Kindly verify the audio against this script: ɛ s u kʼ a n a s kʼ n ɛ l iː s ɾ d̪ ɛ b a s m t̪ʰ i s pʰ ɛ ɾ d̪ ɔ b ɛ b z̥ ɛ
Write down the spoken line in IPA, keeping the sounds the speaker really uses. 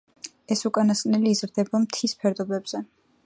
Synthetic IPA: ɛ s u kʼ a n a s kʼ n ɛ l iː z ɾ d̪ ɛ b a m t̪ʰ i s pʰ ɛ ɾ d̪ ɔ b ɛ b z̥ ɛ